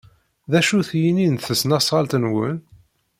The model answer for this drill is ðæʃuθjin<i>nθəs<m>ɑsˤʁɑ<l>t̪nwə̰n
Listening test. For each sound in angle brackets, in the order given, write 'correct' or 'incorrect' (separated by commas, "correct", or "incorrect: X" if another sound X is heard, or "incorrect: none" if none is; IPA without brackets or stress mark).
correct, incorrect: n, correct